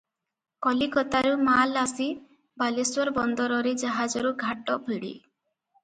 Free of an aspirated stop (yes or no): yes